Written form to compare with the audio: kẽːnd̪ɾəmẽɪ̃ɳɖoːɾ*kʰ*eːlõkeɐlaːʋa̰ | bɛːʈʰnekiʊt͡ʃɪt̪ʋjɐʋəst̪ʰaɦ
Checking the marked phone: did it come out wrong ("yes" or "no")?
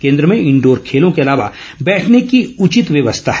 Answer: no